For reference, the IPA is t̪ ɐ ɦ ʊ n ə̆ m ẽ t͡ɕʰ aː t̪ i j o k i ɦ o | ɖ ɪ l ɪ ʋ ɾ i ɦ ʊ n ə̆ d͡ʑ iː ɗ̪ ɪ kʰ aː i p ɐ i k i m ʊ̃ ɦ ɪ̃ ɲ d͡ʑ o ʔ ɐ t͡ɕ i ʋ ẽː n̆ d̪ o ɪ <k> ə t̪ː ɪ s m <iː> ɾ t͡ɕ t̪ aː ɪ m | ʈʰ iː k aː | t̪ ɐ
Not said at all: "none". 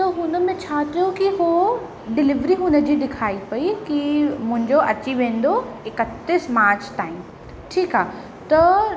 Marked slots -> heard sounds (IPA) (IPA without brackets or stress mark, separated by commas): k, aː